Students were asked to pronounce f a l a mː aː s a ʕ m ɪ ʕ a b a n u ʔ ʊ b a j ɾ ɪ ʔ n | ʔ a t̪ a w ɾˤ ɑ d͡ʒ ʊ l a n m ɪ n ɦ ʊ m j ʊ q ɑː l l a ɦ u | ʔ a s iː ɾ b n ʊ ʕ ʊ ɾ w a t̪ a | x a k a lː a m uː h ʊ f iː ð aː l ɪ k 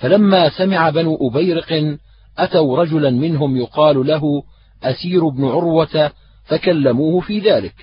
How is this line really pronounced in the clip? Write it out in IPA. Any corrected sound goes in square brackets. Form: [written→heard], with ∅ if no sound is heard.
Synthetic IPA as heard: f a l a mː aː s a [ʕ→∅] m ɪ ʕ a b a n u ʔ ʊ b a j ɾ ɪ [ʔ→q] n | ʔ a t̪ a w ɾˤ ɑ d͡ʒ ʊ l a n m ɪ n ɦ ʊ m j ʊ q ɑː l l a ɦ [u→ʊ] | ʔ a s iː ɾ b n ʊ ʕ ʊ ɾ w a t̪ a | [x→f] a k a lː a m uː h ʊ f iː ð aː l ɪ k